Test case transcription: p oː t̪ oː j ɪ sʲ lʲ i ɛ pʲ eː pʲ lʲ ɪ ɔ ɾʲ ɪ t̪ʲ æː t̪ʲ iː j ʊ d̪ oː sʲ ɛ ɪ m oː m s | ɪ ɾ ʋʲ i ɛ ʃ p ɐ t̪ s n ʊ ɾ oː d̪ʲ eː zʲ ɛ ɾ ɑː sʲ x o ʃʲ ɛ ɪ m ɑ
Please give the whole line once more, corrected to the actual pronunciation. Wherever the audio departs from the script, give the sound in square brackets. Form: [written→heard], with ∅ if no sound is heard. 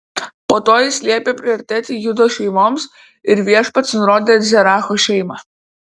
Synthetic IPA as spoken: p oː t̪ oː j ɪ sʲ lʲ i ɛ pʲ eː pʲ [lʲ→ɾʲ] ɪ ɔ ɾʲ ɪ t̪ʲ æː t̪ʲ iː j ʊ d̪ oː [sʲ→ʃʲ] ɛ ɪ m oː m s | ɪ ɾ ʋʲ i ɛ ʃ p ɐ t̪ s n ʊ ɾ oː d̪ʲ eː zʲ ɛ ɾ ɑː [sʲ→∅] x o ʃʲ ɛ ɪ m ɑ